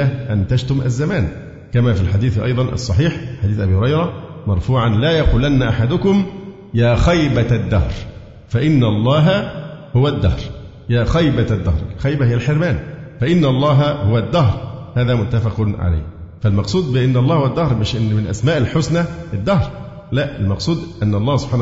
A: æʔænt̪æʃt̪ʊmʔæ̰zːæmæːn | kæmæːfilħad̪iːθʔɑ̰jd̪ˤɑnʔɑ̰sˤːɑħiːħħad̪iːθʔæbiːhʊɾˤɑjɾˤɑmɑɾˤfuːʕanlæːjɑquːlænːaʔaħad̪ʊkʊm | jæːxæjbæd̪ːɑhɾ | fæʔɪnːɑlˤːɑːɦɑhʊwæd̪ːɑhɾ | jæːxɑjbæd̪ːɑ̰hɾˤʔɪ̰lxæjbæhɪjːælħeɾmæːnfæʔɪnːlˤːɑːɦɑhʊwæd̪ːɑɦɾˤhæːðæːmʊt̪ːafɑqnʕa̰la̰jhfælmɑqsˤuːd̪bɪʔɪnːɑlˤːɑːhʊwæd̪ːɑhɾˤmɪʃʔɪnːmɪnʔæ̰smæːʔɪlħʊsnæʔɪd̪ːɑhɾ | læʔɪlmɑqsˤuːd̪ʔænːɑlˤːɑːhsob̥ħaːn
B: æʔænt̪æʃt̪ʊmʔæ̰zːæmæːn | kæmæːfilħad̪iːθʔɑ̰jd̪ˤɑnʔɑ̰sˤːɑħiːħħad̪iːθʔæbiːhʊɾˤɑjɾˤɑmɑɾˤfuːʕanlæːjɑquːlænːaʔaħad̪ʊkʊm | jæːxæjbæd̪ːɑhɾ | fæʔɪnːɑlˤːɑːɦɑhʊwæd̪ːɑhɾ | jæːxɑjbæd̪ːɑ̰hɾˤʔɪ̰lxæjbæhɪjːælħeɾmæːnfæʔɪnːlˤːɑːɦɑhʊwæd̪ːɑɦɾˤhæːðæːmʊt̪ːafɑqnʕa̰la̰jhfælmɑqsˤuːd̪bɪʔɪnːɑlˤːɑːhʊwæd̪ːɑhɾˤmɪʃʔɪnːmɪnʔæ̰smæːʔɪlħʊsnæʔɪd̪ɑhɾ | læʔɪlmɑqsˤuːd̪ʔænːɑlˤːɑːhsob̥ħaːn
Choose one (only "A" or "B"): A